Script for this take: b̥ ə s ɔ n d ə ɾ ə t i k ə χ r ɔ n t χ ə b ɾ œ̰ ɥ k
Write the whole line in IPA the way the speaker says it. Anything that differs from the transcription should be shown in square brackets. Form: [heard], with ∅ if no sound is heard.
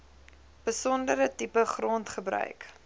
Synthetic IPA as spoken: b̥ ə s ɔ n d ə ɾ ə t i [p] ə χ r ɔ n t χ ə b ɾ œ̰ ɥ k